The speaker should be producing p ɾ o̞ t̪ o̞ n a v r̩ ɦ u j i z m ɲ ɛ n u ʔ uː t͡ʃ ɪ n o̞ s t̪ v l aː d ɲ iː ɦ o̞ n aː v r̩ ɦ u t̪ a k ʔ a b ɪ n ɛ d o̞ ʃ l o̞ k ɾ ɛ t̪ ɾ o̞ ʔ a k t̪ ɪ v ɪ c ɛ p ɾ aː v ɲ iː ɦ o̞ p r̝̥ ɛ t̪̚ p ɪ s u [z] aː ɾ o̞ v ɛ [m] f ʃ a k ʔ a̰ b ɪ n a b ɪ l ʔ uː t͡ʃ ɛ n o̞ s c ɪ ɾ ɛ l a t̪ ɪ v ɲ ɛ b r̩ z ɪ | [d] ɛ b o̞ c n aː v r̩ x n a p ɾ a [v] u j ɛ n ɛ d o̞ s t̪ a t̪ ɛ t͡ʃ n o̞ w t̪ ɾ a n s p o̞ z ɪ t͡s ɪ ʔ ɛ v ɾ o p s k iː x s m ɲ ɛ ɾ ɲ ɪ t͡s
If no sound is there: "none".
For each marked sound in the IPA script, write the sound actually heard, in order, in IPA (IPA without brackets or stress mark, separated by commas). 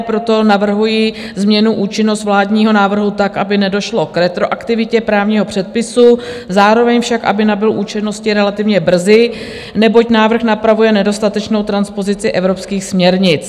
z, ɲ, n, v